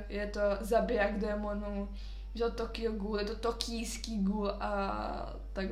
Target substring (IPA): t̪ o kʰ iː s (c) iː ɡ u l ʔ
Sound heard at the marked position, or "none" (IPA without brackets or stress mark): k